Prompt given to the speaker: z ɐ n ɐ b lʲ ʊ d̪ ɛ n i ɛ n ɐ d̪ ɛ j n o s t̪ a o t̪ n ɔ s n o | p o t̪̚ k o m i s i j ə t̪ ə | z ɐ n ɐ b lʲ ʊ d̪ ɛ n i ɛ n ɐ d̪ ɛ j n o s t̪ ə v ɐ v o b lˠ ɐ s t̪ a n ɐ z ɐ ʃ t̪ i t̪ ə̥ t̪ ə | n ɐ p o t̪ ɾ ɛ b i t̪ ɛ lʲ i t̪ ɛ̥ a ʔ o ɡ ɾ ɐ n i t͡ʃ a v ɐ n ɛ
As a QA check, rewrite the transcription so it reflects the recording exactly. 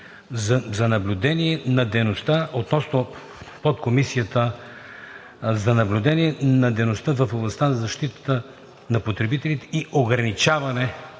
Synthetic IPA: z ɐ n ɐ b lʲ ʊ d̪ ɛ n i ɛ n ɐ d̪ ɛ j n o s t̪ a o t̪ n ɔ s n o | p o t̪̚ k o m i s i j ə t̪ ə | z ɐ n ɐ b lʲ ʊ d̪ ɛ n i ɛ n ɐ d̪ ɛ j n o s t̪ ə v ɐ f o b lˠ ɐ s t̪ a n ɐ z ɐ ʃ t̪ i t̪ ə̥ t̪ ə | n ɐ p o t̪ ɾ ɛ b i t̪ ɛ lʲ i t̪ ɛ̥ i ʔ o ɡ ɾ ɐ n i t͡ʃ a v ɐ n ɛ